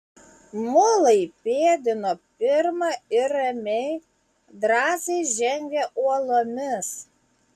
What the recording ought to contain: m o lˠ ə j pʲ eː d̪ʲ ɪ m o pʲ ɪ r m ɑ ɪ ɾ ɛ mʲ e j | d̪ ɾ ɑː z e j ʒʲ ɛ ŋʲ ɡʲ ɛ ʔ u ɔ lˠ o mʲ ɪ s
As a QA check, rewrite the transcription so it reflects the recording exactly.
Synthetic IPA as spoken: m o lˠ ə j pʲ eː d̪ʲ ɪ n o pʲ ɪ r m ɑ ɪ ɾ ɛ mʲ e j | d̪ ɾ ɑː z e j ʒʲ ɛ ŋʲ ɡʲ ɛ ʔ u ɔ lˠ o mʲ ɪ s